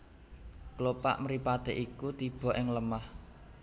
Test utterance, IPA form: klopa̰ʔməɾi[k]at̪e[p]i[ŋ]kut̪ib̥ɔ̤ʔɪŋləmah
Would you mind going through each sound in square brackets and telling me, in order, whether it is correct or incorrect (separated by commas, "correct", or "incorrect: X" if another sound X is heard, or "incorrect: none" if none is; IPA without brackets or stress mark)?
incorrect: p, incorrect: ʔ, incorrect: none